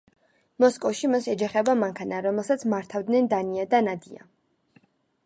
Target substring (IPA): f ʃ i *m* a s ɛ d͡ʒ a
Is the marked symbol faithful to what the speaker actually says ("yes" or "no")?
yes